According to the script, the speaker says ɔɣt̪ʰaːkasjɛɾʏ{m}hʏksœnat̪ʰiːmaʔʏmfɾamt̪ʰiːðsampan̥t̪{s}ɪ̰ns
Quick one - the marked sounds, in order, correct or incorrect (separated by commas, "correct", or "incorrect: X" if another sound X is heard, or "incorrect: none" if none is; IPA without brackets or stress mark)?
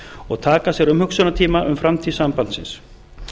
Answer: correct, correct